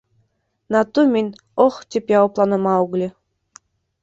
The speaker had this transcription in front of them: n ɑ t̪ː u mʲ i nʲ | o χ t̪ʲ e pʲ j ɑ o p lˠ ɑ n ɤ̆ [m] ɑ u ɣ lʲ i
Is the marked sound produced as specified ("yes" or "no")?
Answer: yes